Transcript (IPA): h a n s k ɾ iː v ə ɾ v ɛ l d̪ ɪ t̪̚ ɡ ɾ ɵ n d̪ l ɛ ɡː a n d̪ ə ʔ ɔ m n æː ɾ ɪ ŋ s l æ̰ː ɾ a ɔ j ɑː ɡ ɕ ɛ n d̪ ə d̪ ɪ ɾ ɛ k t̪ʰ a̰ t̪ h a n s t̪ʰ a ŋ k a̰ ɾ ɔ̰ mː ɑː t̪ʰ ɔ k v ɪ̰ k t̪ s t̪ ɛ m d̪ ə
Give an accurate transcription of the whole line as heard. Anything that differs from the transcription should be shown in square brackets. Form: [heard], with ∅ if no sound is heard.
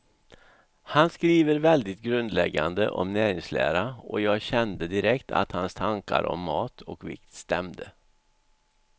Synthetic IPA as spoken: h a n s k ɾ iː v ə ɾ v ɛ l d̪ ɪ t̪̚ ɡ ɾ ɵ n d̪ l ɛ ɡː a n d̪ ə ʔ ɔ m n æː ɾ ɪ ŋ s l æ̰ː ɾ a ɔ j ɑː ɡ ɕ ɛ n d̪ ə d̪ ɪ ɾ ɛ k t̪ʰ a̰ t̪ h a n s t̪ʰ a ŋ k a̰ ɾ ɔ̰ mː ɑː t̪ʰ ɔ k v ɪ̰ k t̪ s t̪ ɛ m d̪ ə